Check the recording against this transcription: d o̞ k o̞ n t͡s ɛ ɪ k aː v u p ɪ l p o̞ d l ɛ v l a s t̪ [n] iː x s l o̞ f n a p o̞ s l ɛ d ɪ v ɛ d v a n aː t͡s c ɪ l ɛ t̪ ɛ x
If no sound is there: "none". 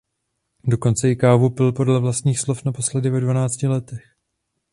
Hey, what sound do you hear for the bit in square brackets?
ɲ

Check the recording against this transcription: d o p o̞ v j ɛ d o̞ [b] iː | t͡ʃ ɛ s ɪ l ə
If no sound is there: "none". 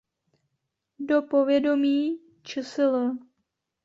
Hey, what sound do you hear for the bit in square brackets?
m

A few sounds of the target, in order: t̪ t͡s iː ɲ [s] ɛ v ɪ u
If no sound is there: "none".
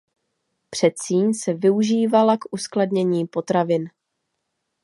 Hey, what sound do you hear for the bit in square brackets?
s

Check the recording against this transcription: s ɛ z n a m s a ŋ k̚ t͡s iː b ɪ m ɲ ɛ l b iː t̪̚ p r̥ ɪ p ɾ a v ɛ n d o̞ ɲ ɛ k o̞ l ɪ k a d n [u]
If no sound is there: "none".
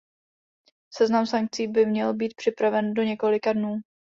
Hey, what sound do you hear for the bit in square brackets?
uː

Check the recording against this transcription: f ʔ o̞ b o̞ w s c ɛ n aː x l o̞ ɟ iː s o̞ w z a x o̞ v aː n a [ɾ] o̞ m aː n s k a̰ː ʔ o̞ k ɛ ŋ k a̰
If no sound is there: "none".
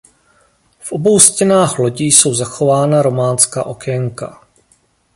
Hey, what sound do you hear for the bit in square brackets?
ɾ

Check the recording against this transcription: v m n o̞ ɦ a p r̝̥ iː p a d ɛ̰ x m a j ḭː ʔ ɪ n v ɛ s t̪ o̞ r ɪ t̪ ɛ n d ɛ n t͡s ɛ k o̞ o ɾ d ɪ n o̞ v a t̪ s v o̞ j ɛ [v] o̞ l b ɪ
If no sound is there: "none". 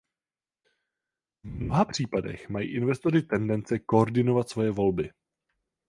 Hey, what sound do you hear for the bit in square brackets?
v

